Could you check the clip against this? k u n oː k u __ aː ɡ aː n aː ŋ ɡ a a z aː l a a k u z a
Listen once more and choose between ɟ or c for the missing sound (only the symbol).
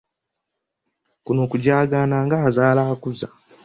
ɟ